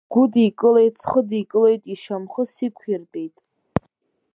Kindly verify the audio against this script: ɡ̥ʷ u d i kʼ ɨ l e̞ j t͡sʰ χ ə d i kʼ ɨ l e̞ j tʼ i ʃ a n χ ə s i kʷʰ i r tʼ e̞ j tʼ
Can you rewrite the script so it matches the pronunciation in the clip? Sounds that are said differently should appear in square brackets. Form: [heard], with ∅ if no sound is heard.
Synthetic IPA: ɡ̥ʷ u d i kʼ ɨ l e̞ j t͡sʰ χ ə d i kʼ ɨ l e̞ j tʼ i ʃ a [m] χ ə s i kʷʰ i r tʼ e̞ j tʼ